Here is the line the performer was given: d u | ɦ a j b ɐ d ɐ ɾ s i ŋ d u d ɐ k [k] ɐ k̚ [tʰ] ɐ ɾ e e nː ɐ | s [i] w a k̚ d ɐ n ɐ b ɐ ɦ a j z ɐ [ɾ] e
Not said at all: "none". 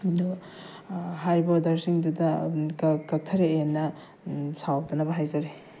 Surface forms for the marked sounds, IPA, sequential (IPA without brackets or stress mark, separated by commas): k, tʰ, a, ɾ